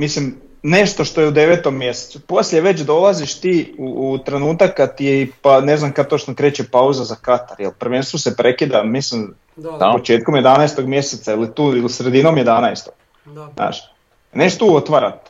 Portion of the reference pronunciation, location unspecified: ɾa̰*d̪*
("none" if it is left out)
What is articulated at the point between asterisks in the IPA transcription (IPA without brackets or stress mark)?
t̪